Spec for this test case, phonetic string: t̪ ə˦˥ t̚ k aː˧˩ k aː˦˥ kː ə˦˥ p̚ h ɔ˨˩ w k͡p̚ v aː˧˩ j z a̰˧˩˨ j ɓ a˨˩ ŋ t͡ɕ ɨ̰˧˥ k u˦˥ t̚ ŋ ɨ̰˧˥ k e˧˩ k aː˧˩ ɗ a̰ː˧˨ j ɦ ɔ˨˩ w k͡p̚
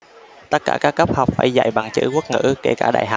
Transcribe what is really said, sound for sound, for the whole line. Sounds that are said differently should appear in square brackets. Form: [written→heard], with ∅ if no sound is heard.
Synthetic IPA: t̪ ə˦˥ t̚ k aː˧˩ k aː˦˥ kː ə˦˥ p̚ h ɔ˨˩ w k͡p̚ [v→f] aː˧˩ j z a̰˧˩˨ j ɓ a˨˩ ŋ t͡ɕ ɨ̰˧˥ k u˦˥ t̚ ŋ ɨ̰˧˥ k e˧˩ k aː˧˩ ɗ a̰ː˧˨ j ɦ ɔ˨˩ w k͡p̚

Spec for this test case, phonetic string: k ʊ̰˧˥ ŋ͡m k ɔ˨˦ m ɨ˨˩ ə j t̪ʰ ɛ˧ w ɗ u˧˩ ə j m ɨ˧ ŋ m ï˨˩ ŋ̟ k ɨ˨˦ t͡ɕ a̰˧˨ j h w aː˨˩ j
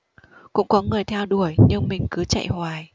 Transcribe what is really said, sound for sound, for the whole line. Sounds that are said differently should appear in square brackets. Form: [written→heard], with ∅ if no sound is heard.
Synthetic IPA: k ʊ̰˧˥ ŋ͡m k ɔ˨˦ [m→ŋ] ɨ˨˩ ə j t̪ʰ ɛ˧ w ɗ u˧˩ ə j [m→ɲ] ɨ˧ ŋ m ï˨˩ ŋ̟ k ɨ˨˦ t͡ɕ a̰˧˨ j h w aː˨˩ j

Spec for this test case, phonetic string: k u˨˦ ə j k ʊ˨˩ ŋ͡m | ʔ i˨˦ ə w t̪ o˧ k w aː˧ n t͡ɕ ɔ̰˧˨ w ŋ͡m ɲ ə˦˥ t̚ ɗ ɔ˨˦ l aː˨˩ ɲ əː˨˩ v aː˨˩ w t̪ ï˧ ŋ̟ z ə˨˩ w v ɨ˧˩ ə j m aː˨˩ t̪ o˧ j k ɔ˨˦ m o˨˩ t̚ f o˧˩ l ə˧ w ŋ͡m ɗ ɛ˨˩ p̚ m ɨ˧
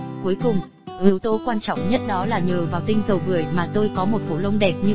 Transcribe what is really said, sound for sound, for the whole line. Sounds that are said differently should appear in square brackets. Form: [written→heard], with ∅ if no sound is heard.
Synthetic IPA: k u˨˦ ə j k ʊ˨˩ ŋ͡m | ʔ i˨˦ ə w t̪ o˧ k w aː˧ n t͡ɕ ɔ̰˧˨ w ŋ͡m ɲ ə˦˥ t̚ ɗ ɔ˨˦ l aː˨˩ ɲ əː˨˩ v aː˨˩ w t̪ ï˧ ŋ̟ z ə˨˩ w v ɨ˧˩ ə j m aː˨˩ t̪ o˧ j k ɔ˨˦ m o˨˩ t̚ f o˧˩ l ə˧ w ŋ͡m ɗ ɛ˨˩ p̚ [m→ɲ] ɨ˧

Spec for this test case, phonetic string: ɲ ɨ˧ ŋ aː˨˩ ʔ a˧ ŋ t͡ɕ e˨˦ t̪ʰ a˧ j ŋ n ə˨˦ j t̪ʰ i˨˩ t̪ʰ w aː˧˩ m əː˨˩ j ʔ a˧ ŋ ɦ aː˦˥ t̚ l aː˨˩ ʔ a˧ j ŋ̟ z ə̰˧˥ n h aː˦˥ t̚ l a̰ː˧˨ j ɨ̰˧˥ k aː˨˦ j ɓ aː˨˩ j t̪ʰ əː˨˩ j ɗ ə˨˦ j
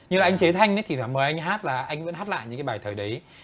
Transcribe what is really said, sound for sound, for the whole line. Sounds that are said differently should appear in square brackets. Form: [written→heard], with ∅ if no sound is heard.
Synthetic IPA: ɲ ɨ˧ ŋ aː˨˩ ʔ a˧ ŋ t͡ɕ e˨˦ t̪ʰ a˧ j ŋ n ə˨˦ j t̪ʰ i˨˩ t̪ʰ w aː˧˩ m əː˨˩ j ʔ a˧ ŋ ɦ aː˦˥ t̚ l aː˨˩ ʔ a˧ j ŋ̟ [z→v] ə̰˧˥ n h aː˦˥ t̚ l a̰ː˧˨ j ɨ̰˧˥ k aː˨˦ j ɓ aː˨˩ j t̪ʰ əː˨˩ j ɗ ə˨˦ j

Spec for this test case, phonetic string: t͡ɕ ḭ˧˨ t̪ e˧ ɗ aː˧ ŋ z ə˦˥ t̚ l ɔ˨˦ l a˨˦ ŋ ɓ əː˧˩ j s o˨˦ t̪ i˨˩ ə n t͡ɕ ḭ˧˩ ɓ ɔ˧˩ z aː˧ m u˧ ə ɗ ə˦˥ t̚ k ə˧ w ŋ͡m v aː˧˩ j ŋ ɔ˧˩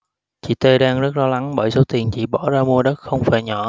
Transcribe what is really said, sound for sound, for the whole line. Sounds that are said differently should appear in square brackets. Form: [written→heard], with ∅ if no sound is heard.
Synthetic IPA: t͡ɕ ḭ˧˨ t̪ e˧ ɗ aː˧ ŋ z ə˦˥ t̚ l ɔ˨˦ l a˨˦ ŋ ɓ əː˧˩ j s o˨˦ t̪ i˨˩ ə n t͡ɕ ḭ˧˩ ɓ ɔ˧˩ z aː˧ m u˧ ə ɗ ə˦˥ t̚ [k→x] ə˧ w ŋ͡m [v→f] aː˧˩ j [ŋ→ɲ] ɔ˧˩

